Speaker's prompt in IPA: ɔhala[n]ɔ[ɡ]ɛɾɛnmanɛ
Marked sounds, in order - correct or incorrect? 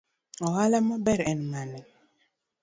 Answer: incorrect, incorrect

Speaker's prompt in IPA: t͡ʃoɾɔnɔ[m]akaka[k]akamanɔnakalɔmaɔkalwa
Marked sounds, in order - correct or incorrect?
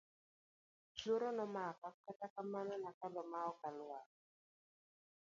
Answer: correct, incorrect

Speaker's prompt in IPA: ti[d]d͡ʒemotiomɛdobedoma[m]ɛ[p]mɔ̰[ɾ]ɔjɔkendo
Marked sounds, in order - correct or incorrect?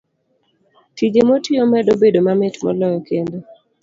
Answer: incorrect, correct, incorrect, incorrect

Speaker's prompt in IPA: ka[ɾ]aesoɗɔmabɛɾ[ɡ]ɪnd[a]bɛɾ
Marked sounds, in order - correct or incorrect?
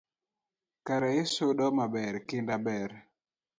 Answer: correct, incorrect, correct

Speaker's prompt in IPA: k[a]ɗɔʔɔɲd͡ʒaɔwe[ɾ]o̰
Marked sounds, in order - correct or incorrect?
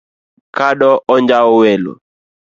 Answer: correct, incorrect

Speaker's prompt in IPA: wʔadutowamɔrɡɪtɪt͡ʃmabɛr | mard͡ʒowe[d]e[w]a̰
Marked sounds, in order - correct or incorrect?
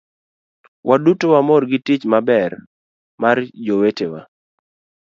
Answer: incorrect, correct

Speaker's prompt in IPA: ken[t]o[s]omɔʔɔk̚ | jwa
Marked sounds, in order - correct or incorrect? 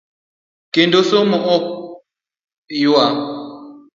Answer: incorrect, correct

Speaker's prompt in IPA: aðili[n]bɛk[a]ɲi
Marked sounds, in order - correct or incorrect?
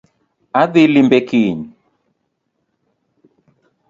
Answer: incorrect, incorrect

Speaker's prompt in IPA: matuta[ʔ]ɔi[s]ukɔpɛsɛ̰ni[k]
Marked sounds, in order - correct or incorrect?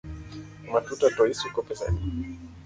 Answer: incorrect, correct, incorrect

